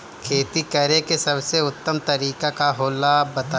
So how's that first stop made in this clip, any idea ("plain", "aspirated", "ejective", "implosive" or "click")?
aspirated